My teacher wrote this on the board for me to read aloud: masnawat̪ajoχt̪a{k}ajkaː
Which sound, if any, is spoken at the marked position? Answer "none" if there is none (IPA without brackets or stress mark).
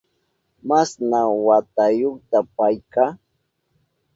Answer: p